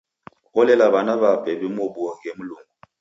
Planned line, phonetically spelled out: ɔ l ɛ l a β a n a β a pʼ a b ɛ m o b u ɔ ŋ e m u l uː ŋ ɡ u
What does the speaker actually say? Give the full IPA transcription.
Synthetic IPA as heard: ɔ l ɛ l a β a n a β a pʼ ɛ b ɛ m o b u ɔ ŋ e m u l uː ŋ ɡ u